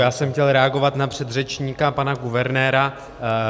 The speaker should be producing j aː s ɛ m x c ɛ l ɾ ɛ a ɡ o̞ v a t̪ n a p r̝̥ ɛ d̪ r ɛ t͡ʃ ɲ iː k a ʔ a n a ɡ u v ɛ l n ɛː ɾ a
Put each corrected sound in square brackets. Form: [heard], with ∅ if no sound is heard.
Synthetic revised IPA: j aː s ɛ m x c ɛ l ɾ ɛ a ɡ o̞ v a t̪ n a p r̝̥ ɛ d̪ r ɛ t͡ʃ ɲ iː k a [p] a n a ɡ u v ɛ [ɾ] n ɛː ɾ a